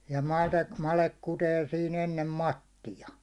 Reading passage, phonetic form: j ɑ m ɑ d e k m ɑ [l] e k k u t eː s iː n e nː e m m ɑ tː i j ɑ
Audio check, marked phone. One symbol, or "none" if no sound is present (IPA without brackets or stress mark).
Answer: l